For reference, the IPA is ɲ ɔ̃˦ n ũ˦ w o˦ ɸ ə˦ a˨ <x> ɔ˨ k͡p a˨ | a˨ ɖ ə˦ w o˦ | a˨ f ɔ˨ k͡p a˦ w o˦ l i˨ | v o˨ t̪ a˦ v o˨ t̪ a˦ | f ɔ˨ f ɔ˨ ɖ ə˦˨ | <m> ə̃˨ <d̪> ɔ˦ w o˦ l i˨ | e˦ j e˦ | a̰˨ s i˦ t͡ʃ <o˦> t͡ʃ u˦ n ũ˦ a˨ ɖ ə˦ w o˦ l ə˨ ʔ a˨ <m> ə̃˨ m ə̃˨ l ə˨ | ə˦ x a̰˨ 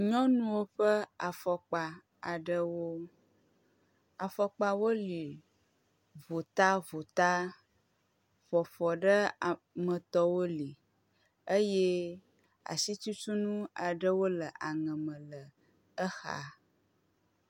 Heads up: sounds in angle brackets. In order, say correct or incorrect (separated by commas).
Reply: incorrect, correct, incorrect, incorrect, incorrect